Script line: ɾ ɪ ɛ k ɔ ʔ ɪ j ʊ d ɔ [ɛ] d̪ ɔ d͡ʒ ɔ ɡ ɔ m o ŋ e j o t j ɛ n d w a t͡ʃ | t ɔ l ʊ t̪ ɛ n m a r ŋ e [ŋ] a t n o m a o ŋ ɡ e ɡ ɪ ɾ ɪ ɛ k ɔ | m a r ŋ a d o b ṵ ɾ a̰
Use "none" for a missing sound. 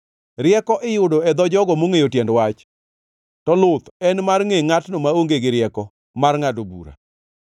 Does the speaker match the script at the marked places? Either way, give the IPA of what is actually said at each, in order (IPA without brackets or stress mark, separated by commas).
ɛ, ŋ